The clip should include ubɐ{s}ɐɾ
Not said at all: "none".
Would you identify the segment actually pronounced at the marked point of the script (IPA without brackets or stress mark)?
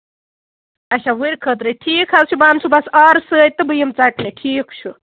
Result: s